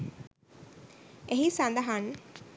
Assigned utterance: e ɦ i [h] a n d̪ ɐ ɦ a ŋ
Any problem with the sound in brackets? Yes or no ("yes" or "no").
yes